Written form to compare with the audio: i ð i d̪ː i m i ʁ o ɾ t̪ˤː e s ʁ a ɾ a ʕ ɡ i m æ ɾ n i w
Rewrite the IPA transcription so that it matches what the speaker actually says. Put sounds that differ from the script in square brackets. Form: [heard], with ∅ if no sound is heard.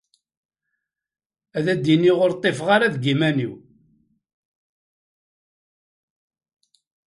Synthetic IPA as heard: [æ] ð [æ] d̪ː i [n] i ʁ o ɾ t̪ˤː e [f] ʁ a ɾ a [ð] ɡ i m æ [∅] n i w